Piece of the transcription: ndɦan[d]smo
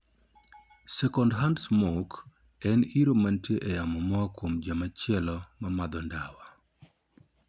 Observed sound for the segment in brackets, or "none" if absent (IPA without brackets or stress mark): d